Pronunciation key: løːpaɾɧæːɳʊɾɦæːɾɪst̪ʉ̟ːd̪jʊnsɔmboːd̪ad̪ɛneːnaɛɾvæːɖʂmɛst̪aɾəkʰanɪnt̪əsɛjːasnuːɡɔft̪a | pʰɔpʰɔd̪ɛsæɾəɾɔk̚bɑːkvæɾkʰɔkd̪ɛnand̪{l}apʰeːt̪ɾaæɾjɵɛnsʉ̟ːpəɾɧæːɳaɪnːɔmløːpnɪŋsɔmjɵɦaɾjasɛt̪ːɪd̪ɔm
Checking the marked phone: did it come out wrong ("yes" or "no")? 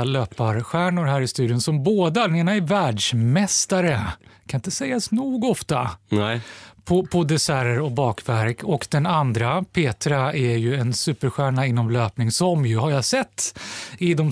yes